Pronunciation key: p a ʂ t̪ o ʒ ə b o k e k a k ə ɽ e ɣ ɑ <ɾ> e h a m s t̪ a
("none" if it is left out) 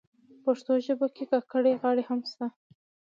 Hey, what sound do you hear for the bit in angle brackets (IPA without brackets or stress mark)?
ɽ